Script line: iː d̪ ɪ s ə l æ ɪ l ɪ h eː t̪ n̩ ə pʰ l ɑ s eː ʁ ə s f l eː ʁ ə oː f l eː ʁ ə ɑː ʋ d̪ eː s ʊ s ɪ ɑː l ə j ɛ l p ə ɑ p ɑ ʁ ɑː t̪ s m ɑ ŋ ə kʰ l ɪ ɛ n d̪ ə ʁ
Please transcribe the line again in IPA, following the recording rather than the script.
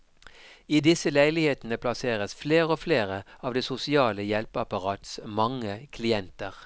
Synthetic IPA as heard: iː d̪ ɪ s ə l æ ɪ l ɪ h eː t̪ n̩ ə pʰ l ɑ s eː ʁ ə s f l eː ʁ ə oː f l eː ʁ ə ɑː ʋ d̪ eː s ʊ s ɪ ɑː l ə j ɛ l p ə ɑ p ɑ ʁ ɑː t̪ s m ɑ ŋ ə kʰ l ɪ ɛ n t̪ ə ʁ